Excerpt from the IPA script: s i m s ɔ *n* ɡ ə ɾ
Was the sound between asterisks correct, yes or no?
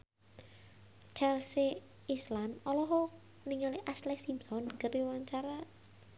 yes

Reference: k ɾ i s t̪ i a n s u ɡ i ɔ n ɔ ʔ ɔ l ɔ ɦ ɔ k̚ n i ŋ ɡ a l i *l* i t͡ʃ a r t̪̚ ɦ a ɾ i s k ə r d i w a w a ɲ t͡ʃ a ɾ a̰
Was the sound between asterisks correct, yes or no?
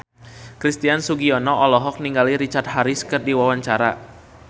no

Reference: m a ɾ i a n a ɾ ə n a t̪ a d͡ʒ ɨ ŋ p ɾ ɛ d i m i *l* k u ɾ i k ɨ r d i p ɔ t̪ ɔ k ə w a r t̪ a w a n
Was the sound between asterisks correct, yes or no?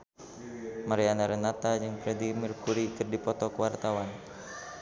no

